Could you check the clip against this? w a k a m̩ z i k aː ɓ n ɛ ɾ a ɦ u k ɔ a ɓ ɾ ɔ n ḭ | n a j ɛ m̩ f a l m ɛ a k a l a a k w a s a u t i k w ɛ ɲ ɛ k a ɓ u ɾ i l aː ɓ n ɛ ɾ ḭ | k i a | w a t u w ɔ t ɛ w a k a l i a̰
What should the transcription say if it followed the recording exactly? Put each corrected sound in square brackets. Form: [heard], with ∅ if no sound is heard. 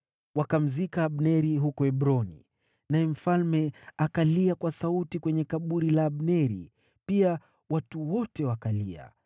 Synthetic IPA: w a k a m̩ z i k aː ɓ n ɛ ɾ [i] ɦ u k ɔ [ɛ] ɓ ɾ ɔ n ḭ | n a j ɛ m̩ f a l m ɛ a k a l [i] a k w a s a u t i k w ɛ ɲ ɛ k a ɓ u ɾ i l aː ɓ n ɛ ɾ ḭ | [p] i a | w a t u w ɔ t ɛ w a k a l i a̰